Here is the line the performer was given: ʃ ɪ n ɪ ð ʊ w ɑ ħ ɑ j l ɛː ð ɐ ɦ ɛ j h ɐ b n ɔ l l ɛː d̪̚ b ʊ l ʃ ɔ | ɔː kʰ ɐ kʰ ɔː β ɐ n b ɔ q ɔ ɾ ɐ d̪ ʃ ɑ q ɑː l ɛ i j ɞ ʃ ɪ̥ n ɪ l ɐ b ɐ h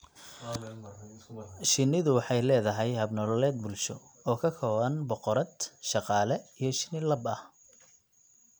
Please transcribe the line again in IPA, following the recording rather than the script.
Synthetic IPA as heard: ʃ ɪ n ɪ ð ʊ w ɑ ħ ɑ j l ɛː ð ɐ ɦ ɛ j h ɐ b n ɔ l l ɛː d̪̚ b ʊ l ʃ ɔ | ɔː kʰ ɐ kʰ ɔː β ɐ n b ɔ q ɔ ɾ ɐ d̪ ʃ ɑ q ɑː l ɛ i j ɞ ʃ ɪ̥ n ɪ l ɐ b ɐ h